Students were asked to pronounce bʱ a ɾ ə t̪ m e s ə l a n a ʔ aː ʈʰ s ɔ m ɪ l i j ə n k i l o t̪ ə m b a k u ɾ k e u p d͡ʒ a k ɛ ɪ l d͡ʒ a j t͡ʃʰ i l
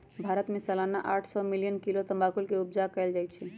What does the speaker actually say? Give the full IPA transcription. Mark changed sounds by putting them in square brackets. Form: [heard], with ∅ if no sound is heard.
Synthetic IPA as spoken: bʱ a ɾ ə t̪ m e s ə l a n a ʔ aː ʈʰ s ɔ m [i] l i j ə n k i l o t̪ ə m b a k u [l] k e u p d͡ʒ a k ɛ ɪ l d͡ʒ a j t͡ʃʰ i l